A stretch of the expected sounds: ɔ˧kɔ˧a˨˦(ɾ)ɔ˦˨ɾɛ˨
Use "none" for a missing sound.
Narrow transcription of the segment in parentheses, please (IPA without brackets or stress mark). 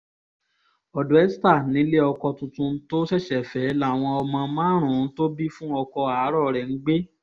ɾ